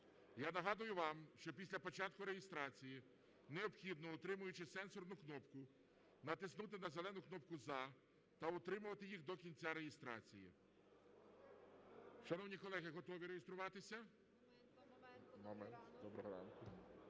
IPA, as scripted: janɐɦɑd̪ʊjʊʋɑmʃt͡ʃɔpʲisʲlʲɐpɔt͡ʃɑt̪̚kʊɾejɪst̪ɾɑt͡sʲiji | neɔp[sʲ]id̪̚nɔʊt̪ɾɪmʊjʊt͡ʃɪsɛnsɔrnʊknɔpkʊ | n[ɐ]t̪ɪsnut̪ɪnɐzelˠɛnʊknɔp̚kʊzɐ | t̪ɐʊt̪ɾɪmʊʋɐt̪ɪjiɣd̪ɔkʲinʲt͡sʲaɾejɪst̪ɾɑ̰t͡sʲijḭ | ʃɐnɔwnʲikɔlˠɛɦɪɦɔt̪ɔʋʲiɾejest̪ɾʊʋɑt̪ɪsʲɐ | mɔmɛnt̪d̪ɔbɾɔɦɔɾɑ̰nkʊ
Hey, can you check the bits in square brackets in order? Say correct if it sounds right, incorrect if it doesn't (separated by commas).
incorrect, correct